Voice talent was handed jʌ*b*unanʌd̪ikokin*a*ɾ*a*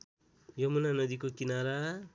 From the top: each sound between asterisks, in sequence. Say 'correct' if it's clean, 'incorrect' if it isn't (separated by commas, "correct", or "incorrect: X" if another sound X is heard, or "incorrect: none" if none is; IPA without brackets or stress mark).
incorrect: m, correct, correct